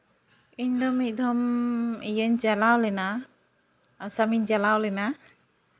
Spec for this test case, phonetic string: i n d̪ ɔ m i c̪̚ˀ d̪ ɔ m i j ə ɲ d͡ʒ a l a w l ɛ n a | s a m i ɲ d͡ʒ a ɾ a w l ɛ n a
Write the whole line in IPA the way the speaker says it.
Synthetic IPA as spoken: i ɲ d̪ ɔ m i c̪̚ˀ d̪ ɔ m i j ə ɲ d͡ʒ a l a w l ɛ n a | s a m i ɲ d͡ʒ a l a w l ɛ n a

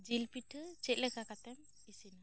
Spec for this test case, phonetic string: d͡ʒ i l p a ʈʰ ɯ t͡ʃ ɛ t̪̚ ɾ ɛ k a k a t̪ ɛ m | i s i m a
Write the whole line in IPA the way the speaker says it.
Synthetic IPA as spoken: d͡ʒ i l p i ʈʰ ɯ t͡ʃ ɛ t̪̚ l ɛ k a k a t̪ ɛ m | i s i n a

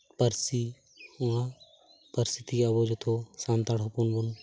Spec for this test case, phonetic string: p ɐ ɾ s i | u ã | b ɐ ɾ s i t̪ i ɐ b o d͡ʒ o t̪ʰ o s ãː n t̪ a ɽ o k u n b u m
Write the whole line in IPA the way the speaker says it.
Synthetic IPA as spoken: p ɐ ɾ s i | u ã | p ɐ ɾ s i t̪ i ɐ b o d͡ʒ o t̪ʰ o s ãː n t̪ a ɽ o p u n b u n

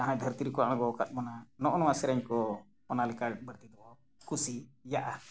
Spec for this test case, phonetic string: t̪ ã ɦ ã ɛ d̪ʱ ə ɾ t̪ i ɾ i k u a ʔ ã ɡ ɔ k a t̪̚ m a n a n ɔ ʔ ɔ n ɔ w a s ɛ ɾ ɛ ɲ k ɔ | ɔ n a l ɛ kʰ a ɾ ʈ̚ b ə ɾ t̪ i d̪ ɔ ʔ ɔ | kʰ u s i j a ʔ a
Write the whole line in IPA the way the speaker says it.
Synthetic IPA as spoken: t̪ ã ɦ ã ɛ d̪ʱ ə ɾ t̪ i ɾ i k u a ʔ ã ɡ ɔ k a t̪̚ m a n a n ɔ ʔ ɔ n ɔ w a s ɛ ɾ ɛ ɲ k ɔ | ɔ n a l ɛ k a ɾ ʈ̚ b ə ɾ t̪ i d̪ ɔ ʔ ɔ | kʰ u s i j a ʔ a

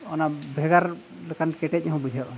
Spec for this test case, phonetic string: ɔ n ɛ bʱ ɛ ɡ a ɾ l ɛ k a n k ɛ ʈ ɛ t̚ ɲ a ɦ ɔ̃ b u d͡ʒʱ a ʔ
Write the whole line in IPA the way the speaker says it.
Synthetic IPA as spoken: ɔ n a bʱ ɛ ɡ a ɾ l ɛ k a n k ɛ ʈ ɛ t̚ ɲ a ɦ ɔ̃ b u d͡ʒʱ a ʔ

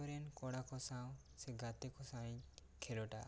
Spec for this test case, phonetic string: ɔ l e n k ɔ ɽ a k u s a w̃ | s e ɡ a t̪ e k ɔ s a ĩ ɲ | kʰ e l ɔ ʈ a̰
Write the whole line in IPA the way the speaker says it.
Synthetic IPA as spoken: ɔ ɾ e n k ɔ ɽ a k ɔ s a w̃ | s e ɡ a t̪ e k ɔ s a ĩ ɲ | kʰ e l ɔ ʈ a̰

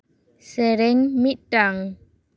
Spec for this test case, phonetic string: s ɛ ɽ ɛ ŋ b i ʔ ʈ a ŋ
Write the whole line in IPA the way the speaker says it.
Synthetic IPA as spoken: s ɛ ɾ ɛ ŋ m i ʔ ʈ a ŋ

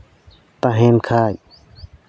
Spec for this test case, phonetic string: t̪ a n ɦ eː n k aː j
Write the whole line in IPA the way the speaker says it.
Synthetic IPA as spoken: t̪ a ɦ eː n kʰ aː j

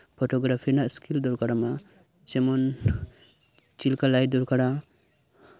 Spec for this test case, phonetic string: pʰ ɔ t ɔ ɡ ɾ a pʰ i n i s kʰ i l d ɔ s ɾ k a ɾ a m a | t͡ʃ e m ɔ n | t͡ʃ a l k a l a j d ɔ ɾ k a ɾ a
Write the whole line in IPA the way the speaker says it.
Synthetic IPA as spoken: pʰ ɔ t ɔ ɡ ɾ a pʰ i n a s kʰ i l d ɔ ɾ k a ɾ a m a | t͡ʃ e m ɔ n | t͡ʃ i l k a l a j d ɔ ɾ k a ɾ a

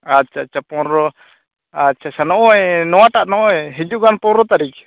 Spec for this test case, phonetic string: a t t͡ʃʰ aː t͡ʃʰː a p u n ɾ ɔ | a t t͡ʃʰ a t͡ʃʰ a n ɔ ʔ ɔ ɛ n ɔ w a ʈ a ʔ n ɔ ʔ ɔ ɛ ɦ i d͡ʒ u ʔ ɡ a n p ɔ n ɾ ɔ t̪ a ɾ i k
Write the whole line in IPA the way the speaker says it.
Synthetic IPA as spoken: a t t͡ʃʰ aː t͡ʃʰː a p ɔ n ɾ ɔ | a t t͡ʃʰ a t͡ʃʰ a n ɔ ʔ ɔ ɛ n ɔ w a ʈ a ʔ n ɔ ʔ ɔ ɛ ɦ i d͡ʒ u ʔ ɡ a n p ɔ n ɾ ɔ t̪ a ɾ i k

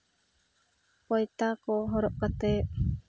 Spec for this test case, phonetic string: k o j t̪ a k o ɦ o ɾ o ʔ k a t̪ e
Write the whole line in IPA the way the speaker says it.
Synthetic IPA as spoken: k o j t̪ a k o ɦ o ɾ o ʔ k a t̪ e

